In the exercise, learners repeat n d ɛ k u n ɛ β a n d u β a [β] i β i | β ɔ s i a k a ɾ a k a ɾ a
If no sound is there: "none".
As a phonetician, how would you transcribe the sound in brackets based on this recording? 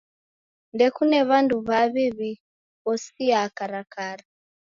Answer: β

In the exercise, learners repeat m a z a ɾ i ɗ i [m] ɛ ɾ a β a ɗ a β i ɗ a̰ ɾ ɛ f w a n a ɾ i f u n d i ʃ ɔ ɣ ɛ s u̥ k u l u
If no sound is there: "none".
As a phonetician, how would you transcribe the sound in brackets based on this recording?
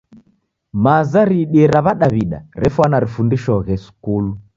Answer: none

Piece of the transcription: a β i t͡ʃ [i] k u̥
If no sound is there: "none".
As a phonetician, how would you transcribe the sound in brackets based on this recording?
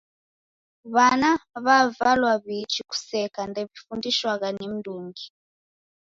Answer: i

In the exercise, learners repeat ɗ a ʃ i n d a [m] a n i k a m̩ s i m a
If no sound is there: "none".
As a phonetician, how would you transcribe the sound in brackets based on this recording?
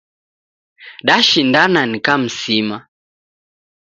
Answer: n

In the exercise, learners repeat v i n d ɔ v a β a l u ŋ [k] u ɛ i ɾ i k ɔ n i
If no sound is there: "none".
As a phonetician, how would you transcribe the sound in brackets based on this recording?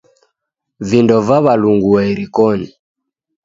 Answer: ɡ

